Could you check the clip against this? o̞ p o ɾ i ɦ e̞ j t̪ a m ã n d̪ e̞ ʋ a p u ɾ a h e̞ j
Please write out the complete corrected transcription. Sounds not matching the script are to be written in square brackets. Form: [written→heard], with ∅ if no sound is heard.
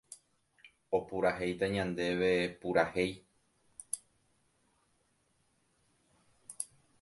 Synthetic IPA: o̞ p [o→u] ɾ [i→a] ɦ e̞ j t̪ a [m→ɲ] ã n d̪ e̞ ʋ [a→e] p u ɾ a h e̞ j